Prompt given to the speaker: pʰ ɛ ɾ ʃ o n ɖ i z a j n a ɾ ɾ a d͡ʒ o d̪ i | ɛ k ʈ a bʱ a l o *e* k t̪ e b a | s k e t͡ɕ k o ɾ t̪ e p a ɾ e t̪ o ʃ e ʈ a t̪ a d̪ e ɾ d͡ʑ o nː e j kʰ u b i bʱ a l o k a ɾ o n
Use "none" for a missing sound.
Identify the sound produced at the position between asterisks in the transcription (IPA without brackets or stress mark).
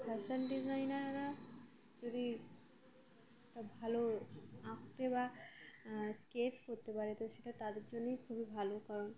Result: a